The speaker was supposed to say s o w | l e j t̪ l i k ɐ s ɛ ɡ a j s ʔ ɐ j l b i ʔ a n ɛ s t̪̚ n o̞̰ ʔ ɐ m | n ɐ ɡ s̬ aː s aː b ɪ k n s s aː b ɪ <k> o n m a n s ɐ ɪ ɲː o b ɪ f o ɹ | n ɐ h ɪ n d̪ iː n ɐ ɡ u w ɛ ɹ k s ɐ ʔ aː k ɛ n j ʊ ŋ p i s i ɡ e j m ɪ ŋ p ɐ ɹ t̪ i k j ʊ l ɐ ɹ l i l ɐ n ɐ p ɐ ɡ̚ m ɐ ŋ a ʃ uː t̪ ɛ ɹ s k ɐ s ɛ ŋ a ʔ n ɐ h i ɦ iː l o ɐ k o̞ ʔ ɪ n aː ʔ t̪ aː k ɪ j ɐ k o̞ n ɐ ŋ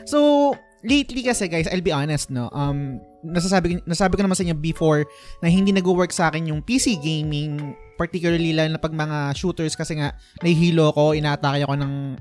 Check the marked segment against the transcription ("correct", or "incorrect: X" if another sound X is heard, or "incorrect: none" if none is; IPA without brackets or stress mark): correct